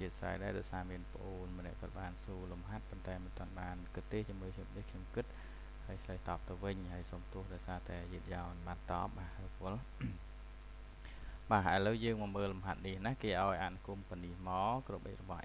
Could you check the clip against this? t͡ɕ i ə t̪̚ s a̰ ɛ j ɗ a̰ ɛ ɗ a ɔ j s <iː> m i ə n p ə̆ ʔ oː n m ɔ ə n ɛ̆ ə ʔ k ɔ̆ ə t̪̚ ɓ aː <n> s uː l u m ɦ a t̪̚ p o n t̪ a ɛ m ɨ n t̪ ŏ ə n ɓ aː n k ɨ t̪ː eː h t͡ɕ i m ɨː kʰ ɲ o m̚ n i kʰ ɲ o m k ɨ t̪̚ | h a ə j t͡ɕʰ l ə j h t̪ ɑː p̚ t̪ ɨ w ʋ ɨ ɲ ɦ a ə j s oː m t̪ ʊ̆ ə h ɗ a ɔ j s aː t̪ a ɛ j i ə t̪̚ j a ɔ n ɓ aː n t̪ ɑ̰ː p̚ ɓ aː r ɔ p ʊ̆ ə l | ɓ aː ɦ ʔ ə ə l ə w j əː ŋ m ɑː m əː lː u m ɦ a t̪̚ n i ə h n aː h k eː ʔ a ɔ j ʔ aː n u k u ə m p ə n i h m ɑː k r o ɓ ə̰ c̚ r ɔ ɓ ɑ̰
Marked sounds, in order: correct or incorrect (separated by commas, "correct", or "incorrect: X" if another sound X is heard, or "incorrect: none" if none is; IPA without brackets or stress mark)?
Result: incorrect: aː, correct